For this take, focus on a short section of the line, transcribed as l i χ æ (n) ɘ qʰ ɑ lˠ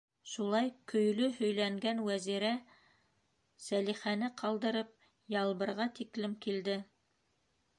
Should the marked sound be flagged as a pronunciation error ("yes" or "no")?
no